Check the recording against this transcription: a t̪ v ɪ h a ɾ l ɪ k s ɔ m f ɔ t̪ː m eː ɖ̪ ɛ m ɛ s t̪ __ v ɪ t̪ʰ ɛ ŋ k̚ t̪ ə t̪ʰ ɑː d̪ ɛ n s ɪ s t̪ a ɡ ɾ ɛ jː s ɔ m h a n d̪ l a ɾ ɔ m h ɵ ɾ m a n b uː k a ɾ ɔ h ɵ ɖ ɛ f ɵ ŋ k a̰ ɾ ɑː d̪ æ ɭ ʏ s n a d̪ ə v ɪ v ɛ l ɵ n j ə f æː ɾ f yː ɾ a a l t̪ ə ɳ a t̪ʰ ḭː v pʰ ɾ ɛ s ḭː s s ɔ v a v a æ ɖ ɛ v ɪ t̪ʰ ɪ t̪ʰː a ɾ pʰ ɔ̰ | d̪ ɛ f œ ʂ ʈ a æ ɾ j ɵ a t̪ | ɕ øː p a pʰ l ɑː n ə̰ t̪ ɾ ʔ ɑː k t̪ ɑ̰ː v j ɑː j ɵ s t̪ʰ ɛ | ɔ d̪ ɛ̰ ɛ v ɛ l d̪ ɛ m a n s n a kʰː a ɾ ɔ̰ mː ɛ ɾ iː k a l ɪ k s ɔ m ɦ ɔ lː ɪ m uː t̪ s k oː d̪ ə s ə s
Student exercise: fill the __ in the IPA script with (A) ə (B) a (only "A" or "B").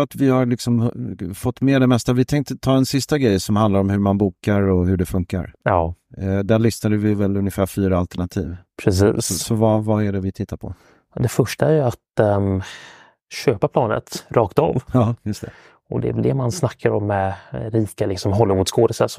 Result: B